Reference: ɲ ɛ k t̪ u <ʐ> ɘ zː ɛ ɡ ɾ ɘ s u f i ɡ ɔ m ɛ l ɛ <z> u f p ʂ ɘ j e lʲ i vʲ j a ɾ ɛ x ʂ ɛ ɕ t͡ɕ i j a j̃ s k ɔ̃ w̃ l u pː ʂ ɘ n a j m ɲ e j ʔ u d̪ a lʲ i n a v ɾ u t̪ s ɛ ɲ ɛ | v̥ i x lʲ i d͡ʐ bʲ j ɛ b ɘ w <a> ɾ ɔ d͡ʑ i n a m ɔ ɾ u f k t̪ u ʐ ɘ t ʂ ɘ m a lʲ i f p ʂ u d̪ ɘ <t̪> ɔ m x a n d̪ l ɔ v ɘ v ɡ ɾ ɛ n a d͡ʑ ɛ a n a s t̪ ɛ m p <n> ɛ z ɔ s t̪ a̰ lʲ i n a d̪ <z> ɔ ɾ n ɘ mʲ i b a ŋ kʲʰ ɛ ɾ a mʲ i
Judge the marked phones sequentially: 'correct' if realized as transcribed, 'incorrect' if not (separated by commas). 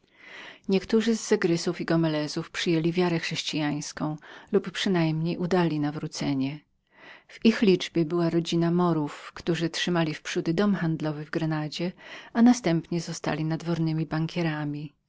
correct, correct, correct, incorrect, incorrect, incorrect